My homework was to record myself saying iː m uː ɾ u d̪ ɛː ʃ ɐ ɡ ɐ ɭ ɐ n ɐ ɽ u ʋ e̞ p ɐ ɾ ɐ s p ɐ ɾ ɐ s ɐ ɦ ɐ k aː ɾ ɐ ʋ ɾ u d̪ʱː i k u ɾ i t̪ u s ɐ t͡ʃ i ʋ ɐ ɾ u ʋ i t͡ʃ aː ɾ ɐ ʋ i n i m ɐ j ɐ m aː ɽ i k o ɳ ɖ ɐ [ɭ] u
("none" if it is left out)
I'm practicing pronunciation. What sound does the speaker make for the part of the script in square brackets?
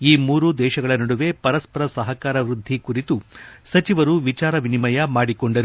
ɾ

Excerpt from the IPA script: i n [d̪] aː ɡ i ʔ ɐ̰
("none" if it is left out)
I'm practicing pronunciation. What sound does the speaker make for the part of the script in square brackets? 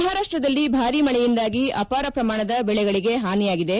d̪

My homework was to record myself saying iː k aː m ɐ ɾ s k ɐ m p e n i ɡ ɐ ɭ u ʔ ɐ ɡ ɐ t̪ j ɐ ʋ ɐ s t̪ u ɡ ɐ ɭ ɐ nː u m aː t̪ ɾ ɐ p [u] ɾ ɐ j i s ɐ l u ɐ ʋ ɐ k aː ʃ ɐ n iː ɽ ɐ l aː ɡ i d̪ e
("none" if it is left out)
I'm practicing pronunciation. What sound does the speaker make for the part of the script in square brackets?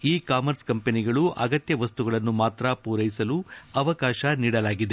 uː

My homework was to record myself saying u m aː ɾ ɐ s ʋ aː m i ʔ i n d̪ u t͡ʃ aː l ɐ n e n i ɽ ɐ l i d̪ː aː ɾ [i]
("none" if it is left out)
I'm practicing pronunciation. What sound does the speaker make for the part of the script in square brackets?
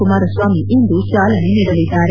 e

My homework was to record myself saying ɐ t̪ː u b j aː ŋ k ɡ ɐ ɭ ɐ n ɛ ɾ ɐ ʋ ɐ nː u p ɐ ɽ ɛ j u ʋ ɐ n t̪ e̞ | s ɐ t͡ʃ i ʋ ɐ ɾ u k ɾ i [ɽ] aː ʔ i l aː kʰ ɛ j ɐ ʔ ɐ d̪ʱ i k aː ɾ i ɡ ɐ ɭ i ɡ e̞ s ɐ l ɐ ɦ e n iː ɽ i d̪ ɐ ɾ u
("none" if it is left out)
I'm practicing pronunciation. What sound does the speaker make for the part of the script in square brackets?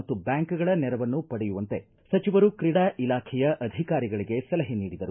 ɽ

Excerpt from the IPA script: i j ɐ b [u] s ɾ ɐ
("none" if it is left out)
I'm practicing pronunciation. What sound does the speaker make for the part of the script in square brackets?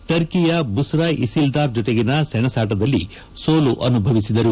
u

